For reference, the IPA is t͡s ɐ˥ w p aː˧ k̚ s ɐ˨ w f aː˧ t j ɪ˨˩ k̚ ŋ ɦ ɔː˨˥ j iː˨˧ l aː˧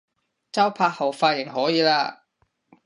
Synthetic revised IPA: t͡s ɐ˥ w pʰ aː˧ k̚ h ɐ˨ w f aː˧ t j ɪ˨˩ ŋ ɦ ɔː˨˥ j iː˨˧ l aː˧

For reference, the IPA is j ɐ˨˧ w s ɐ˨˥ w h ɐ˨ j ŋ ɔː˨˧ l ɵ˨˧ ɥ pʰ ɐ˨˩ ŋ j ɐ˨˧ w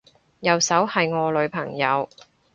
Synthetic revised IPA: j ɐ˨˧ w s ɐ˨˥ w h ɐ˨ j ŋ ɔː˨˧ l ɵ˨˧ ɥ pʰ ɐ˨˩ ŋ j ɐ˨˧ w

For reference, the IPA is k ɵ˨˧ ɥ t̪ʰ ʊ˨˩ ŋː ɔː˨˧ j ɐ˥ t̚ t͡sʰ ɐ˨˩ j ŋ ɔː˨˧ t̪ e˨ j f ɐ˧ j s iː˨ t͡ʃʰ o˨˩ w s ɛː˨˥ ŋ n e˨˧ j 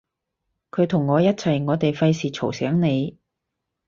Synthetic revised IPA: kʰ ɵ˨˧ ɥ t̪ʰ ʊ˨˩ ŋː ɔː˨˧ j ɐ˥ t̚ t͡sʰ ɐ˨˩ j ŋ ɔː˨˧ t̪ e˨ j f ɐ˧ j s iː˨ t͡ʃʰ o˨˩ w s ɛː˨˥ ŋ n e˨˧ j

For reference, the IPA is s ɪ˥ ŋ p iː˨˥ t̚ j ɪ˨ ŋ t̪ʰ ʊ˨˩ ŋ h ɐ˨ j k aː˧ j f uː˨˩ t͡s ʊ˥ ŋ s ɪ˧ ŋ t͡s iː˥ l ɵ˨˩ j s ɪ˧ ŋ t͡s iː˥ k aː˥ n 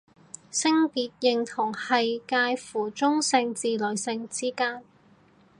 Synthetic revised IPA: s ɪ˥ ŋ p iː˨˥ t̚ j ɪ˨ ŋ t̪ʰ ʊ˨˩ ŋ h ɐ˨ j k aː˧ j f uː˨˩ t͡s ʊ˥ ŋ s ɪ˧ ŋ t͡s iː˨ l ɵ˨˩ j s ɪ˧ ŋ t͡s iː˥ k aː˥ n

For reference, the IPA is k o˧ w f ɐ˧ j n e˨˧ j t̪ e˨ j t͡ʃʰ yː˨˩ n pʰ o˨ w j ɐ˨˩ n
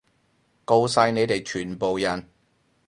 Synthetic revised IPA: k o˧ w s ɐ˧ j n e˨˧ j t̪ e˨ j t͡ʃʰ yː˨˩ n p o˨ w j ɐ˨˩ n

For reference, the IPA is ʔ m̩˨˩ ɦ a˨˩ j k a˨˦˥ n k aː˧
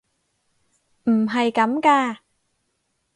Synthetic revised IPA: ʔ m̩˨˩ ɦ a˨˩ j k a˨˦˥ m k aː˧

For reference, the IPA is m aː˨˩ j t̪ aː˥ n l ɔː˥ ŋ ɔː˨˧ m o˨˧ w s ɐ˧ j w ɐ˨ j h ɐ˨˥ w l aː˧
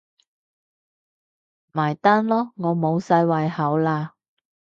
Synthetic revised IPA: m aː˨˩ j t̪ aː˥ n l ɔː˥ ŋ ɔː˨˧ m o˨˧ w s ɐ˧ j w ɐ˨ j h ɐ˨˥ w l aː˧

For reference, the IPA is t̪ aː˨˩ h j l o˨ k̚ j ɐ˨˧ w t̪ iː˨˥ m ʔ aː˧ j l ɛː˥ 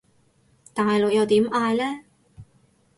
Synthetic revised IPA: t̪ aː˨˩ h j l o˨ k̚ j ɐ˨˧ w t̪ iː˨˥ m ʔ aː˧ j l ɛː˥

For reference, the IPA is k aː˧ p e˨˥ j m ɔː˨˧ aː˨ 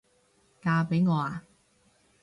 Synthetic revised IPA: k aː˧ p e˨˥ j ŋ ɔː˨˧ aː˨

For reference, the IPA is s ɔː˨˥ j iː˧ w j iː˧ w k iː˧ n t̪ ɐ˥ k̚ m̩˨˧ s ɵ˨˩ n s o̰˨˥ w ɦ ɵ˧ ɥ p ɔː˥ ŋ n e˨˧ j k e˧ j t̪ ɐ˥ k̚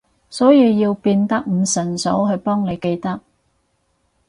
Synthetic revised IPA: s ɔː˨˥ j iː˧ w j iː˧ w p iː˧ n t̪ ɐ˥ k̚ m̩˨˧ s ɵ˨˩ n s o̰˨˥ w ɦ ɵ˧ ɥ p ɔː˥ ŋ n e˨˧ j k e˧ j t̪ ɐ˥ k̚

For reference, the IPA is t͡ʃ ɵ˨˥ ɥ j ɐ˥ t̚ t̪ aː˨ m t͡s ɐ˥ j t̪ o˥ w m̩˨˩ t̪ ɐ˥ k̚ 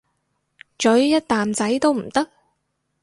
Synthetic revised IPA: t͡ʃ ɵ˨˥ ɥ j ɐ˥ t̚ t̪ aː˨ m t͡s ɐ˨˥ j t̪ o˥ w m̩˨˩ t̪ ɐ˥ k̚

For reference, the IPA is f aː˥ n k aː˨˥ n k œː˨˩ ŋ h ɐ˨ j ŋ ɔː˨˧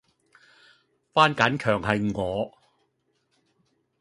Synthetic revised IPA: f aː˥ n k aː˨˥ n kʰ œː˨˩ ŋ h ɐ˨ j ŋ ɔː˨˧

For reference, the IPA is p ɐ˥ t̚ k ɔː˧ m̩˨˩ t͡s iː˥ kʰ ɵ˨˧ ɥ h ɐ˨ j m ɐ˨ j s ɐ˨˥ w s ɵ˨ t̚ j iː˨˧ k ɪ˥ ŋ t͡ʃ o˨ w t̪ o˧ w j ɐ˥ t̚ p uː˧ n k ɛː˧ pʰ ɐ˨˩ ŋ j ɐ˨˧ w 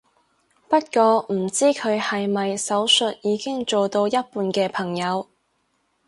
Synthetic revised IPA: p ɐ˥ t̚ k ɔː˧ m̩˨˩ t͡s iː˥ kʰ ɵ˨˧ ɥ h ɐ˨ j m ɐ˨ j s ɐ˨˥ w s ɵ˨ t̚ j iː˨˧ k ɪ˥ ŋ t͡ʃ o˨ w t̪ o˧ w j ɐ˥ t̚ p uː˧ n k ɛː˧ pʰ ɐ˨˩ ŋ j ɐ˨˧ w

